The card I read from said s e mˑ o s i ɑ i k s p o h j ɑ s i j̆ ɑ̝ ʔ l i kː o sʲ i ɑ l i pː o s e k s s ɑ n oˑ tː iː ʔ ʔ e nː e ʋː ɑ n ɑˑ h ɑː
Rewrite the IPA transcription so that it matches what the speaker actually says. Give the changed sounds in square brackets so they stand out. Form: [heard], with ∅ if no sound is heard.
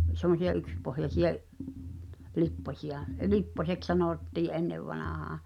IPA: s e mˑ o s i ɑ [y] k s p o h j ɑ s i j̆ ɑ̝ ʔ l i [pː] o sʲ i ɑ l i pː o s e k s s ɑ n oˑ tː iː ʔ ʔ e nː e ʋː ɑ n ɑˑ h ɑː

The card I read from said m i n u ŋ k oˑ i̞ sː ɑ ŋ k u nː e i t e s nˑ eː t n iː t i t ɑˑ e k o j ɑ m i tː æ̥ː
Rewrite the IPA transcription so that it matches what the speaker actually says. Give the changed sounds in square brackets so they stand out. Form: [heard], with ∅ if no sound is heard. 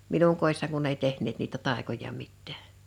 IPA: m i n u ŋ k oˑ i̞ sː ɑ ŋ k u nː e i t e [h] nˑ eː t n iː t [æ] t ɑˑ e k o j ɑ m i tː æ̥ː

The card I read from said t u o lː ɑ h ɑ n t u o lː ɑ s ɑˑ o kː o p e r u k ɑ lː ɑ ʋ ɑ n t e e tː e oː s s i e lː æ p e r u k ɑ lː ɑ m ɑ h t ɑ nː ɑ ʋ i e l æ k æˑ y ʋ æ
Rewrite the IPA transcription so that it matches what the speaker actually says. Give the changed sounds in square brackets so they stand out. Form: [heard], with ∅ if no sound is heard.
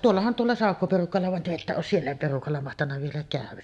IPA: t u o lː ɑ h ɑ n t u o lː ɑ s ɑˑ o kː o p e r u k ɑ lː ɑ ʋ ɑ n t e e tː [æ] oː s s i e lː æ p e r u k ɑ lː ɑ m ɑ h t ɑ nː ɑ ʋ i e l æ k æˑ y ʋ æ

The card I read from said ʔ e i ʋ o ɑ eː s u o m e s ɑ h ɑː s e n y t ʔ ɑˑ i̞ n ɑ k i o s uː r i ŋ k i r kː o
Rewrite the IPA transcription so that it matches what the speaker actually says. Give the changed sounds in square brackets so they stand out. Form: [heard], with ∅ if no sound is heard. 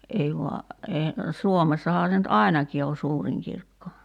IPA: ʔ e i ʋ o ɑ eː s u o m e [sː] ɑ h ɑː s e n y t ʔ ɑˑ i̞ n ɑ k i o s uː r i ŋ k i r kː o

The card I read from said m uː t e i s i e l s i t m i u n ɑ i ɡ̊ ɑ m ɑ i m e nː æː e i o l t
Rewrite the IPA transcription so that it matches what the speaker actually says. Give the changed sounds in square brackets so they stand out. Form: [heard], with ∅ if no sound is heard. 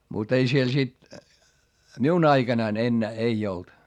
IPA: m [u] t e i s i e l s i t m i u n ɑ i ɡ̊ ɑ [n] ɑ i [n] e nː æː e i o l t

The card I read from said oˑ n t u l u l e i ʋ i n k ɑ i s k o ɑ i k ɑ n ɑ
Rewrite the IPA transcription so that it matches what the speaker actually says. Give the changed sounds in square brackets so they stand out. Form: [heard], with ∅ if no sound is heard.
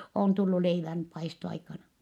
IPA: oˑ n t u [lː] u l e i ʋ [æ] n [p] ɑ i s [t] o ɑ i k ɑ n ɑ

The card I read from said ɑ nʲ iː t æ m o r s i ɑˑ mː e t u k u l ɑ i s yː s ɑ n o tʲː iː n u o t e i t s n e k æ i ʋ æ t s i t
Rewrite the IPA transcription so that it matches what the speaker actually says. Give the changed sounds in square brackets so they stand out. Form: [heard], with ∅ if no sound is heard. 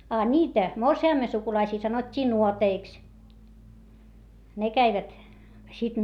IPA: ɑ nʲ iː t æ m o r s i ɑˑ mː e [s] u k u l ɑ i s [iː] s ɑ n o tʲː iː n u o t e i [k] s n e k æ i ʋ æ t s i t

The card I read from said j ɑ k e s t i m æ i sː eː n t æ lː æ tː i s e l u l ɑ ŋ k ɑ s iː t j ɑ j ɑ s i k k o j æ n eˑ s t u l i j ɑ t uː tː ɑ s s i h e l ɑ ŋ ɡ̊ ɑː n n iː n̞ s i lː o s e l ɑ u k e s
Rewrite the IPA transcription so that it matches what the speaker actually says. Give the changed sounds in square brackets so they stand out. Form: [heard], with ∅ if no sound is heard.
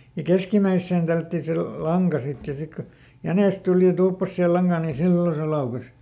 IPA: j ɑ k e s [k] i m æ i sː eː n t æ lː æ tː i s e l u l ɑ ŋ k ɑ s [i] t j ɑ j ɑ s i k k o j æ n eˑ s t u l i j ɑ t uː [pː] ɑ s s i h e l ɑ ŋ ɡ̊ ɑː n n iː n̞ s i lː o s e l ɑ u k e s

